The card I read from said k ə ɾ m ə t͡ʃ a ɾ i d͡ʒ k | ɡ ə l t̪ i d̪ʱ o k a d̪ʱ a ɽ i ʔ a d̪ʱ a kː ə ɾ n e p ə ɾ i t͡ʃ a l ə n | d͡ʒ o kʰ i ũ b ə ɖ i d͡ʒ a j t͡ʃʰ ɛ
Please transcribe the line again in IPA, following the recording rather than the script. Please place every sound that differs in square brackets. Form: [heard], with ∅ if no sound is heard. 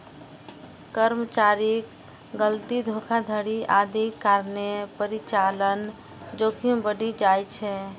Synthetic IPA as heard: k ə ɾ m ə t͡ʃ a ɾ i [∅] k | ɡ ə l t̪ i d̪ʱ o [kʰ] a d̪ʱ [ə] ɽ i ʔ a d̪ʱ [i] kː [a] ɾ n e p ə ɾ i t͡ʃ a l ə n | d͡ʒ o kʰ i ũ b ə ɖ i d͡ʒ a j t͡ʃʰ ɛ